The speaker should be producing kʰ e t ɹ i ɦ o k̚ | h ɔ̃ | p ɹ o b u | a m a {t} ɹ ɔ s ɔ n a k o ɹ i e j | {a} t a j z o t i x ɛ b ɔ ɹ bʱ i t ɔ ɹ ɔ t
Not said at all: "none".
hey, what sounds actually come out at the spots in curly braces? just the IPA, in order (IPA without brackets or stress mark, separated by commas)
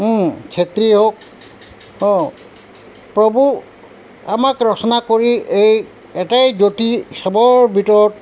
k, ɛ